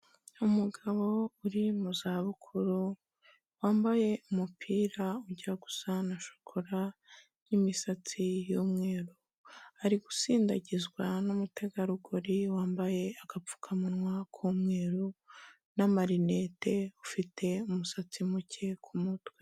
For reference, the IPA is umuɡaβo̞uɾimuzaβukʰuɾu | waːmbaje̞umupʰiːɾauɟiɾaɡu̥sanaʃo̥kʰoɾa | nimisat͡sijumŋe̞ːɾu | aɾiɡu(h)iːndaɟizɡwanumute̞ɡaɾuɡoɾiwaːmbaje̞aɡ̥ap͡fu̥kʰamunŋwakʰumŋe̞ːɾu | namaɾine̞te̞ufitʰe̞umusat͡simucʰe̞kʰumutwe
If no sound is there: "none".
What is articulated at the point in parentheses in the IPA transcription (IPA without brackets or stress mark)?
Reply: s